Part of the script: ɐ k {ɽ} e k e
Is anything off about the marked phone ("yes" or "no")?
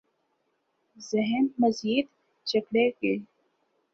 no